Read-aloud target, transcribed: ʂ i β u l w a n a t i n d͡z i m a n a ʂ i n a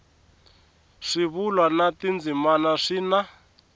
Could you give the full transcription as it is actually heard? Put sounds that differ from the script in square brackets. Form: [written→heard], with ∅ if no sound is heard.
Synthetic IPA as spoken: ʂ i β u l w a n a t i n d͡z i m a n a ʂ i n a